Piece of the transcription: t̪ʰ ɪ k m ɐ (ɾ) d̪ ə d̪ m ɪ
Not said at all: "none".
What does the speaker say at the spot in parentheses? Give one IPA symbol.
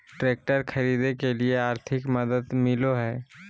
none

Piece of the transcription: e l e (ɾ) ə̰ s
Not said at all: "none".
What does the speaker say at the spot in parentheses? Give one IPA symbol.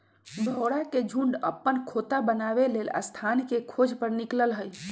l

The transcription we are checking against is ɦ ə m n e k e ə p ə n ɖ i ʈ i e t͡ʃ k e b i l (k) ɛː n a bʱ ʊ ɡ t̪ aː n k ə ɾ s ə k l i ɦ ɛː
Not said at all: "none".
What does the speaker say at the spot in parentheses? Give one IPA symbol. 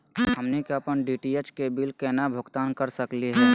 k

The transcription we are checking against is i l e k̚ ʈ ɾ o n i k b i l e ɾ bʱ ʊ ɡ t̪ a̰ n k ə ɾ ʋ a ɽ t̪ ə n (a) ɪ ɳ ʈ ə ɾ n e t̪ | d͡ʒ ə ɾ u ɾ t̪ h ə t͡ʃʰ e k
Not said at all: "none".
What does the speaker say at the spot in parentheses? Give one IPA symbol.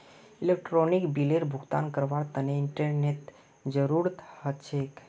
e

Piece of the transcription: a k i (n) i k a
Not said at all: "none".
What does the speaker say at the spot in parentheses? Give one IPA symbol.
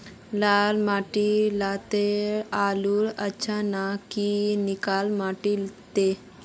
n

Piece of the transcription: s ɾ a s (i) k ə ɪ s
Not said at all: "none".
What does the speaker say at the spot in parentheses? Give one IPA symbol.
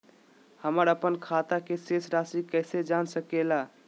i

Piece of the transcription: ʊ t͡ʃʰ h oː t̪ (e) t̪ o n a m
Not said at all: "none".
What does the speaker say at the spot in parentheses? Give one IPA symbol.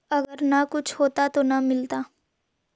a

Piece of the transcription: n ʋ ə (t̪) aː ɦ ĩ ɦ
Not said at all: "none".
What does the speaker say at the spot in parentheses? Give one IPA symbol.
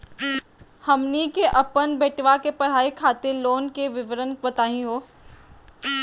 t̪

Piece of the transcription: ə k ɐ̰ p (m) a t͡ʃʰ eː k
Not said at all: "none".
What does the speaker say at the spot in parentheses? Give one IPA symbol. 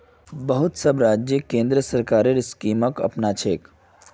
n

